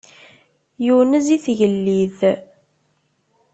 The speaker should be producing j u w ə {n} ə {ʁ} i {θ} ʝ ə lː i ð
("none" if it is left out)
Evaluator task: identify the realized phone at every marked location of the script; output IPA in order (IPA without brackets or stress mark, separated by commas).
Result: n, z, θ